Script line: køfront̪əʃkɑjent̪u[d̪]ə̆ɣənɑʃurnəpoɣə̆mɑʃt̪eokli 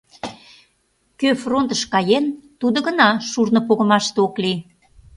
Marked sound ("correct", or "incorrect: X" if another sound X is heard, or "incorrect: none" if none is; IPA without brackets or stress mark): correct